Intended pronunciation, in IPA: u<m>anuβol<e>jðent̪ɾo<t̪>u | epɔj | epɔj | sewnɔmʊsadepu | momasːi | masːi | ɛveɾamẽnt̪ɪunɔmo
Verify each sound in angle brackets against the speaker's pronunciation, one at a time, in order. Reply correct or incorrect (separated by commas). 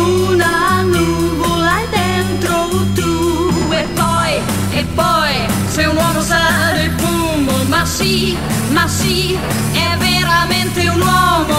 incorrect, incorrect, correct